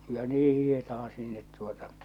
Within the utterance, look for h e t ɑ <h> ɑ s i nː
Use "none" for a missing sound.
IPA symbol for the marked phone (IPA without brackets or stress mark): h